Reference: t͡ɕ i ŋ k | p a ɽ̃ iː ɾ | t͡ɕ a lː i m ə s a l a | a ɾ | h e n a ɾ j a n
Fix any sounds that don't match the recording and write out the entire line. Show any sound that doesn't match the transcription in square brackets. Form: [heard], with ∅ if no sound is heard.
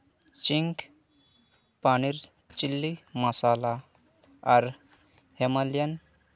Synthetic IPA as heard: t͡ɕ i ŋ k | p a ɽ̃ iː ɾ | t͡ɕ [i] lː i m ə s a l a | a ɾ | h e [m] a [l] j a n